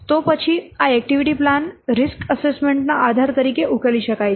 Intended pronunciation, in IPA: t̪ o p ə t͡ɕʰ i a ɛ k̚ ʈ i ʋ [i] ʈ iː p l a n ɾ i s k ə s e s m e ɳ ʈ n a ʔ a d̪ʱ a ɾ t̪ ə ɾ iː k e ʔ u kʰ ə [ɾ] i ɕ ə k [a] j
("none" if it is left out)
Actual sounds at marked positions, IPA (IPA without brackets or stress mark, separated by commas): i, l, a